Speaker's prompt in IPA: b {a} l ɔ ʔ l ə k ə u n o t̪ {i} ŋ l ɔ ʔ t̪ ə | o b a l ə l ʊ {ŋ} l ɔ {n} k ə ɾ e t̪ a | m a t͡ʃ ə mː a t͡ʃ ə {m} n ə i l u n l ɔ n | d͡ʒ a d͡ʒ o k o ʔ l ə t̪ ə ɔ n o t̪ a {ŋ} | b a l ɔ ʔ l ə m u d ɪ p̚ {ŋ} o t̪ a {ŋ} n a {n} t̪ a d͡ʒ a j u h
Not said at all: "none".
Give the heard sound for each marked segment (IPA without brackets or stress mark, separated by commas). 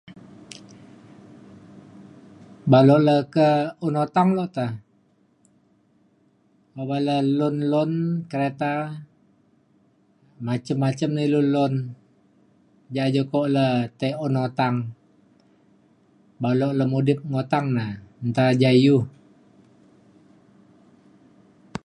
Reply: a, a, n, n, m, ŋ, ŋ, ŋ, n